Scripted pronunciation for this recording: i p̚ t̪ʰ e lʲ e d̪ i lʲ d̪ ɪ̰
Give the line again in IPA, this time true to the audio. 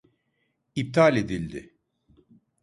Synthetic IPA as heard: i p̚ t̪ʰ a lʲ e d̪ i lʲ d̪ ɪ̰